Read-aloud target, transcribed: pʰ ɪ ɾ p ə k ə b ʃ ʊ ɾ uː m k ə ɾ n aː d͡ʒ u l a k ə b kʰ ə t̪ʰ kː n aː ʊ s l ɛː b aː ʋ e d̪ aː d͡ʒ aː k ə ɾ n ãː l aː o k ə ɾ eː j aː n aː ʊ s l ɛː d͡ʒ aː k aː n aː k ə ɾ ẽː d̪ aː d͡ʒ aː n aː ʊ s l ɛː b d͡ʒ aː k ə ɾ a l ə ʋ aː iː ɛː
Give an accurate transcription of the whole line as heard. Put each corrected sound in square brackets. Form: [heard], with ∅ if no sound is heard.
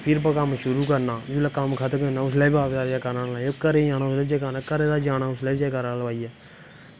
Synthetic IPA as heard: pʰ ɪ ɾ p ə k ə [m] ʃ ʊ ɾ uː [∅] k ə ɾ n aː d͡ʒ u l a k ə [m] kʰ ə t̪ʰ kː n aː ʊ s l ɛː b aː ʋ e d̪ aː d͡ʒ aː k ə ɾ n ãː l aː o k ə ɾ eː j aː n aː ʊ s l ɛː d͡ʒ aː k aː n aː k ə ɾ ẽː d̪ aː d͡ʒ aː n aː ʊ s l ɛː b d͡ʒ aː k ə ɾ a l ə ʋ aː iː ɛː